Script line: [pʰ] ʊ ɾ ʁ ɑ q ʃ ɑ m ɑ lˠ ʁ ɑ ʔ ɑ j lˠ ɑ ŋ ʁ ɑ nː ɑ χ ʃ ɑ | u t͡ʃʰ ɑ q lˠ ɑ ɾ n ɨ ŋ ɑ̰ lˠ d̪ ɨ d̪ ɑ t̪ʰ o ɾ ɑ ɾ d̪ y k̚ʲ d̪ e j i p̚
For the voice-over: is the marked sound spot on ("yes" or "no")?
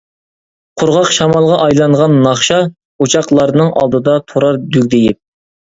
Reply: no